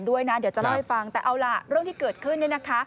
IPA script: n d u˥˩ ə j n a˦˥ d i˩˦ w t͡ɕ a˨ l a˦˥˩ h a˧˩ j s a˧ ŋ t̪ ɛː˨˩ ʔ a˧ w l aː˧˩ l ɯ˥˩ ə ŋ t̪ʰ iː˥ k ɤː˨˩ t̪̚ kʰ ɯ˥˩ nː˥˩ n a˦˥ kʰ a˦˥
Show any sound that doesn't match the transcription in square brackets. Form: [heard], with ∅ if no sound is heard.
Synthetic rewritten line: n d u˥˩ ə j n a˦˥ d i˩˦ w t͡ɕ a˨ l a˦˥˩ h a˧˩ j [f] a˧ ŋ t̪ ɛː˨˩ ʔ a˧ w l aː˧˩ [ɾ] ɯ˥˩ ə ŋ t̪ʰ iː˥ k ɤː˨˩ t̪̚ kʰ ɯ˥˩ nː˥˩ n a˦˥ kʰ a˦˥

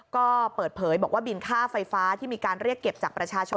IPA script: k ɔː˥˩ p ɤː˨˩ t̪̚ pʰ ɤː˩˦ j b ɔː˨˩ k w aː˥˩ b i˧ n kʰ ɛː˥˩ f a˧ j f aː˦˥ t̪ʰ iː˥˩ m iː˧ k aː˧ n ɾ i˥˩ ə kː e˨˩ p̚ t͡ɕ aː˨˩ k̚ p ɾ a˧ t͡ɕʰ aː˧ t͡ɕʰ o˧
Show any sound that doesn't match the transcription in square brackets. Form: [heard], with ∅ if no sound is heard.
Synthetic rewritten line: k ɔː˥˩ p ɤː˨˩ t̪̚ pʰ ɤː˩˦ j b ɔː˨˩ k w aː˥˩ b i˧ n kʰ [aː˥˩] f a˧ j f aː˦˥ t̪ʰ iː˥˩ m iː˧ k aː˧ n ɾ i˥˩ ə kː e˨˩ p̚ t͡ɕ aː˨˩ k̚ p ɾ a˧ t͡ɕʰ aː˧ t͡ɕʰ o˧

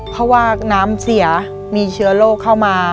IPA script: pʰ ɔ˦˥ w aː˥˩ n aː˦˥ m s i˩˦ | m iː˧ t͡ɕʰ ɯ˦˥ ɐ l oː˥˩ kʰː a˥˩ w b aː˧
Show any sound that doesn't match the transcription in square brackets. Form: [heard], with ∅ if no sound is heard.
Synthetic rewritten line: pʰ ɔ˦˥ w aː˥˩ n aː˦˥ m s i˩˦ | m iː˧ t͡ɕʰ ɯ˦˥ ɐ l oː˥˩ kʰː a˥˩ w [m] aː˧

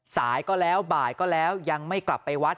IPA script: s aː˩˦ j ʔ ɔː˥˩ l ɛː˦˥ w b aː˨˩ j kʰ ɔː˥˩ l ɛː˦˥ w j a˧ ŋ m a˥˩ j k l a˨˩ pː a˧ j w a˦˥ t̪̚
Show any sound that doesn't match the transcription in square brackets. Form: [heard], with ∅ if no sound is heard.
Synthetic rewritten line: s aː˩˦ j [k] ɔː˥˩ l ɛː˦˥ w b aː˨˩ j [k] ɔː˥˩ l ɛː˦˥ w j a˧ ŋ m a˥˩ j k l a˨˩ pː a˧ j w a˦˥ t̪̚

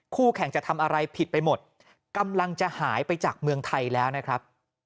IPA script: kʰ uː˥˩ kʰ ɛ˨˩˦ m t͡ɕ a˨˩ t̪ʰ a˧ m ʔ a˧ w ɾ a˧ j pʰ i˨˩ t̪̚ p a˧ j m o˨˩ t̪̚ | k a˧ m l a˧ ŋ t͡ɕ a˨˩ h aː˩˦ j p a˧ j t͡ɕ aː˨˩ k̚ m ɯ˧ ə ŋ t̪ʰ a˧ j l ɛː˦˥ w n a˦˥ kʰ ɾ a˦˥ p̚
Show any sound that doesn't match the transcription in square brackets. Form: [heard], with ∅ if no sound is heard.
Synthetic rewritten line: kʰ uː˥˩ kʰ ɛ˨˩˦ [ŋ] t͡ɕ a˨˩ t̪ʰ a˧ m ʔ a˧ [∅] ɾ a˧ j pʰ i˨˩ t̪̚ p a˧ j m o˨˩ t̪̚ | k a˧ m l a˧ ŋ t͡ɕ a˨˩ h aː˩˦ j p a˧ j t͡ɕ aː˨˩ k̚ m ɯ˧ ə ŋ t̪ʰ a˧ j l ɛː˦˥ w n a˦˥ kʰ ɾ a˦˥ p̚

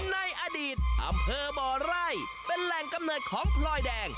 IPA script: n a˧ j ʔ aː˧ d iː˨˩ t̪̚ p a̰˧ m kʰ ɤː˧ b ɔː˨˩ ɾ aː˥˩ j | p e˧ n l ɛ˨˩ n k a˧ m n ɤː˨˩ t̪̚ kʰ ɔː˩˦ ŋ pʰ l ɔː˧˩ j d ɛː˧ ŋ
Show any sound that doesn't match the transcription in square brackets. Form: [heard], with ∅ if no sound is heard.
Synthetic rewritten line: n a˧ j ʔ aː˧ d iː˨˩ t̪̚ [ʔ] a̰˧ m [pʰ] ɤː˧ b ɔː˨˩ ɾ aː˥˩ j | p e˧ n l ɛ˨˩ [ŋ] k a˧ m n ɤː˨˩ t̪̚ kʰ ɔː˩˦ ŋ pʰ l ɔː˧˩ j d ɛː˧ ŋ

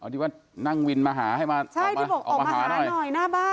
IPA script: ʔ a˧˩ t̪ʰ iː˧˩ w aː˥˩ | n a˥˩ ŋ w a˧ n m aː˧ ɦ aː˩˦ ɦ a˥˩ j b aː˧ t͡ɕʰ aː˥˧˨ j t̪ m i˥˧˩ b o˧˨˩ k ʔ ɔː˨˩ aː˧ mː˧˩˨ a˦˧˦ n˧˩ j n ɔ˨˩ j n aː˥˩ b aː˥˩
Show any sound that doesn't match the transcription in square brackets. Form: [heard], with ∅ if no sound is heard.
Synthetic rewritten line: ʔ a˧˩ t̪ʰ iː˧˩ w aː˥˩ | n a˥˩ ŋ w [i˧] n m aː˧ ɦ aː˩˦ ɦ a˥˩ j [m] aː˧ t͡ɕʰ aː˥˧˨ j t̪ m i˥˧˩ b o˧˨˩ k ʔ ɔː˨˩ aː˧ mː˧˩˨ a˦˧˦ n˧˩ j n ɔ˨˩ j n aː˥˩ b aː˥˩

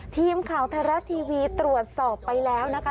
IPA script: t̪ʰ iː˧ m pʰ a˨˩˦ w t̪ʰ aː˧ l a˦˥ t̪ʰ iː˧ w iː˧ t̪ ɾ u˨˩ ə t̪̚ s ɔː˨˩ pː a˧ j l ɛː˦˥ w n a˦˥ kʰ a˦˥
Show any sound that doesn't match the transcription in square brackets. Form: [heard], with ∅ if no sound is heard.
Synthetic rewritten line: t̪ʰ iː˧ m [kʰ] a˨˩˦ w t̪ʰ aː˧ [ɾ] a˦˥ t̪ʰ iː˧ w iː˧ t̪ ɾ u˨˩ ə t̪̚ s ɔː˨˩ pː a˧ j l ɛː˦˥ w n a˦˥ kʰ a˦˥

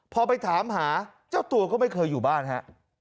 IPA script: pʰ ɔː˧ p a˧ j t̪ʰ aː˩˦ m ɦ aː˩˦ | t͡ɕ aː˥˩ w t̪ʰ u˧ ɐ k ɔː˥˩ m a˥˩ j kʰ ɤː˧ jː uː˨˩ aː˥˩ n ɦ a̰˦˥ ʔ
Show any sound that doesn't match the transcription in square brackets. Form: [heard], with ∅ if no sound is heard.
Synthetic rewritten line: pʰ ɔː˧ p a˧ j t̪ʰ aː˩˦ m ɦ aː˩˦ | t͡ɕ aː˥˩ w [t̪] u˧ ɐ k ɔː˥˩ m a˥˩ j kʰ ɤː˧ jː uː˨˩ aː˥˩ n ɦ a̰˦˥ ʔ

